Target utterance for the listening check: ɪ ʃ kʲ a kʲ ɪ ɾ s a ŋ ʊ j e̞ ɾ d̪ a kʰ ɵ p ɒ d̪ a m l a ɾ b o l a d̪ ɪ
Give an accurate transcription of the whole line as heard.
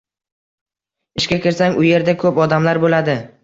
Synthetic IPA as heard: ɪ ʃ kʲ a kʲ ɪ ɾ s a ŋ ʊ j e̞ ɾ d̪ a kʰ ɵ p ɒ d̪ a m l a ɾ b o l a d̪ ɪ